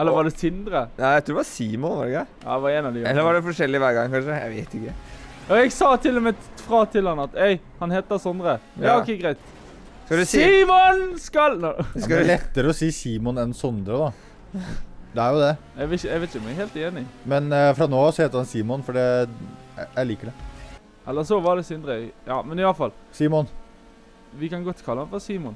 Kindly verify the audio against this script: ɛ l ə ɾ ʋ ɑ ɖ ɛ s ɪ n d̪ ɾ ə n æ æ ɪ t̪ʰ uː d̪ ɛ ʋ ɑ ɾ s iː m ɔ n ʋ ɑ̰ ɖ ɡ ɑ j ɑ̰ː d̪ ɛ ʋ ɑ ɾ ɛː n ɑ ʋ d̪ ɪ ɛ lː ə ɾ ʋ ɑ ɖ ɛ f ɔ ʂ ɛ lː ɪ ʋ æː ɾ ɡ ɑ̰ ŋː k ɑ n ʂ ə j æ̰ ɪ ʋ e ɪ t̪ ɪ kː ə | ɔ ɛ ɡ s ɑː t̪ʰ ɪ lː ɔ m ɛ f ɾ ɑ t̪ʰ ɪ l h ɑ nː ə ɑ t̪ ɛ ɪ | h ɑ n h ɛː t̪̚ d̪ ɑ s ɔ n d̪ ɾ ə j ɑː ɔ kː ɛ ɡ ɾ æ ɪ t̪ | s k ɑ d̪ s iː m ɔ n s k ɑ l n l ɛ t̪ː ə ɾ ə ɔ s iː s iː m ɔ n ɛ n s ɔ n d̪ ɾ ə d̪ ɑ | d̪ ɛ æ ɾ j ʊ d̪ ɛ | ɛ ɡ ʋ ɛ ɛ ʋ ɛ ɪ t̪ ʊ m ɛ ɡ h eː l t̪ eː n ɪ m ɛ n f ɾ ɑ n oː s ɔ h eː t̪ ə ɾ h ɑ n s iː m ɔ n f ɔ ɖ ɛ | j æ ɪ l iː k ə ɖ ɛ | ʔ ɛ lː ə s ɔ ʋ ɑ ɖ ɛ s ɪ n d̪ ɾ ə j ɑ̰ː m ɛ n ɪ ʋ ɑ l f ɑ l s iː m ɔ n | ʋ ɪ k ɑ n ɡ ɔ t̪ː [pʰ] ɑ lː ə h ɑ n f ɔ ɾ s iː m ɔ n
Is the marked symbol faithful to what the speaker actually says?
no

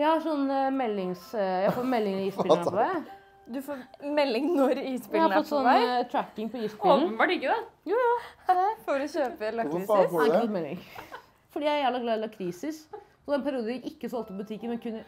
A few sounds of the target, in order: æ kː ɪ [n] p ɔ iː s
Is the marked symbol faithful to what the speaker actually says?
no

